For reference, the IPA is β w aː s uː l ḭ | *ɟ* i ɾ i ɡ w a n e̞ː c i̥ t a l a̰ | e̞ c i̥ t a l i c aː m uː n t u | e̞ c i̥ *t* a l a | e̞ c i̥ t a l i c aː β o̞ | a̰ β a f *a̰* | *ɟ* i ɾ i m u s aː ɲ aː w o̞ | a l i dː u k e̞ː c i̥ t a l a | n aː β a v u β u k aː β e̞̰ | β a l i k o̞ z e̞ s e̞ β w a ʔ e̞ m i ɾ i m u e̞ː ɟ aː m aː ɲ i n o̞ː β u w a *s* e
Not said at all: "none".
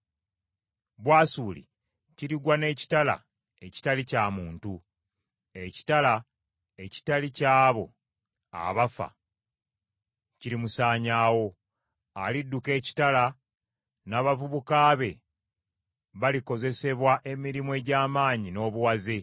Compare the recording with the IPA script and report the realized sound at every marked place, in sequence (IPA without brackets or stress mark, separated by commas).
c, t, a̰, c, z